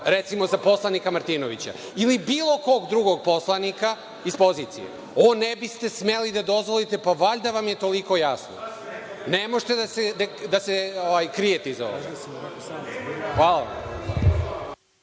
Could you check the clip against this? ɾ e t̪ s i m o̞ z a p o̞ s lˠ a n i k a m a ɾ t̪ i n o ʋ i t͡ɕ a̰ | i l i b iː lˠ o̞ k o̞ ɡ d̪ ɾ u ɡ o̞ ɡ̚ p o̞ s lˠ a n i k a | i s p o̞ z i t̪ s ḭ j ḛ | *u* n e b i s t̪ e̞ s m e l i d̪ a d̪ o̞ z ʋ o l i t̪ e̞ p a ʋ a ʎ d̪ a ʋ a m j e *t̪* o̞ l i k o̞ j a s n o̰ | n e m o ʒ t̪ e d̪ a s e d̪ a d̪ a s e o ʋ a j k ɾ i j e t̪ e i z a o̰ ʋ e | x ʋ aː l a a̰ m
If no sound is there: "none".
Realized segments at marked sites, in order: o, t̪

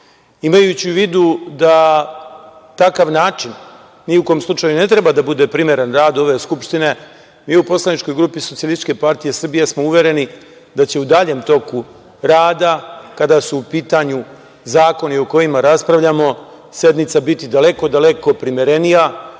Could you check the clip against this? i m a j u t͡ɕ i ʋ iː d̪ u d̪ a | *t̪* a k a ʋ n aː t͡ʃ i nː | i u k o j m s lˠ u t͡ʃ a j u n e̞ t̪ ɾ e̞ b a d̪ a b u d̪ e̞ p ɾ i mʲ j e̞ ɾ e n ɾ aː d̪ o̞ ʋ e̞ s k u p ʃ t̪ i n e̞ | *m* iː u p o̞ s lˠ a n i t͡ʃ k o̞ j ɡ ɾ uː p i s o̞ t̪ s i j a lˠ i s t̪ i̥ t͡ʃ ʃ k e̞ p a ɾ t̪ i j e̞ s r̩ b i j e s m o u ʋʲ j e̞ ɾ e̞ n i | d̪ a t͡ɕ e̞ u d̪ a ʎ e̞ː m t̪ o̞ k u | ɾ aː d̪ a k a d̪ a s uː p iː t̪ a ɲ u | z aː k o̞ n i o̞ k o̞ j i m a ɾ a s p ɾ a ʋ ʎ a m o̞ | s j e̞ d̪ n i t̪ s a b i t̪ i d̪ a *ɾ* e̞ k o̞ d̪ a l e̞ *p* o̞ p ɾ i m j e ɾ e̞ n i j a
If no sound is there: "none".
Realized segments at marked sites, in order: t̪, m, l, k

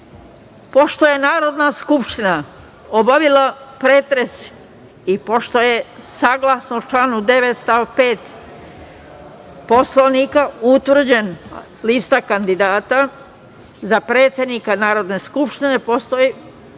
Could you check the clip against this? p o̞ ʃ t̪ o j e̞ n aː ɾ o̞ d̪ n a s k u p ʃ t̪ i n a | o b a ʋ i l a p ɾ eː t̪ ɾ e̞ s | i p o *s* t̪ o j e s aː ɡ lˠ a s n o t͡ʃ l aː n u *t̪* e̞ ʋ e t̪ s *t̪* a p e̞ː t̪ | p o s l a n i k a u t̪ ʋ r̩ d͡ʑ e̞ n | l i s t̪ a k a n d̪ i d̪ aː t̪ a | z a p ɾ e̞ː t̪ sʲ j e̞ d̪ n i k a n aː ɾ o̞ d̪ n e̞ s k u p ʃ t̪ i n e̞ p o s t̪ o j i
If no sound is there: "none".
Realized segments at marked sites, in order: ʃ, d̪, t̪

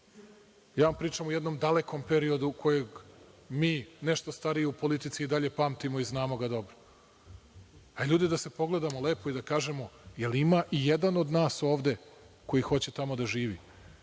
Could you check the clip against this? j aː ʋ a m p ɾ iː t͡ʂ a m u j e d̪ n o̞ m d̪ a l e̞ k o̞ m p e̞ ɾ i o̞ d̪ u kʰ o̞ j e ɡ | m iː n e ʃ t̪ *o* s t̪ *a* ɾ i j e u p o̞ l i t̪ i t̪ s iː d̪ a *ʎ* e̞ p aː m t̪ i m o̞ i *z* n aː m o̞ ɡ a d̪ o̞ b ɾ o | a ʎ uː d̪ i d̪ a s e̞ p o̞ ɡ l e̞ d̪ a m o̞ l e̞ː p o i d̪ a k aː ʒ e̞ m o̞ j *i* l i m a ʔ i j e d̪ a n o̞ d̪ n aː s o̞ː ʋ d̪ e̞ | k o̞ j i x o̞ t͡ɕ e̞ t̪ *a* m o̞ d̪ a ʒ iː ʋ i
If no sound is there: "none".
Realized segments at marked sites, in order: o, a, ʎ, z, e, a

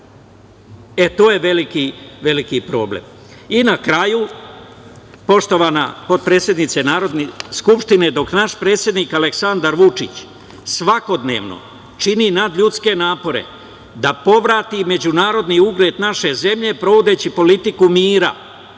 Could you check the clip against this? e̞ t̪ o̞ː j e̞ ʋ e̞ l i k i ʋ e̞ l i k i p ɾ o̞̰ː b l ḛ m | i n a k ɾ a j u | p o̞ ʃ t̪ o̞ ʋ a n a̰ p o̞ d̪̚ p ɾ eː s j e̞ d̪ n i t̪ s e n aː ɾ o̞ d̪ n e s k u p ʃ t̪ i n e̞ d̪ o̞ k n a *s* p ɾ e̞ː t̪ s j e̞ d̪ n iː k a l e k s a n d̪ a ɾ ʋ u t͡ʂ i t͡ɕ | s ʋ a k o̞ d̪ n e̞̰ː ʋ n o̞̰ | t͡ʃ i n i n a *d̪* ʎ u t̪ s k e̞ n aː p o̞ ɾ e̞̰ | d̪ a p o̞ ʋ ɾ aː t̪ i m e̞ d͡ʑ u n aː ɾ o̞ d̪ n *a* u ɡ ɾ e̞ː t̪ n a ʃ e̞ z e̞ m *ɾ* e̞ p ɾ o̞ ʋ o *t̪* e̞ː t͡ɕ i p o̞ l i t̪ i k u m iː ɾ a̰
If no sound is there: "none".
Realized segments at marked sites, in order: ʃ, d̪, i, ʎ, d̪

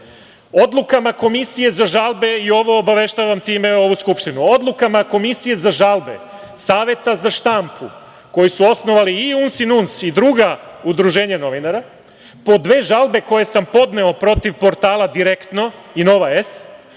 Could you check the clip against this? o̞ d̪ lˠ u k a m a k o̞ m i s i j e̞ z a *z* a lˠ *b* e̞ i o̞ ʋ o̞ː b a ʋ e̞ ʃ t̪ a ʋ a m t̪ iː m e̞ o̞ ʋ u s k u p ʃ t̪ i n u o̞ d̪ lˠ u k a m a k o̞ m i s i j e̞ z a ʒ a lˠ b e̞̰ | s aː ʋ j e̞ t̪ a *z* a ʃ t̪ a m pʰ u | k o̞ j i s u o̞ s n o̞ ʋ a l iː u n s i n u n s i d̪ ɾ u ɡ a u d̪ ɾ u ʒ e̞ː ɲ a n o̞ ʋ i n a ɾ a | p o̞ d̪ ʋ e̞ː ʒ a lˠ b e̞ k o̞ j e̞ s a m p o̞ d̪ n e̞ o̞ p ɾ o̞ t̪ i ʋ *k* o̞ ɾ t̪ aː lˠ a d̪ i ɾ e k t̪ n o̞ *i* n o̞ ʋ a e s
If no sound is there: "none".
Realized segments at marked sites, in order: ʒ, b, z, p, i

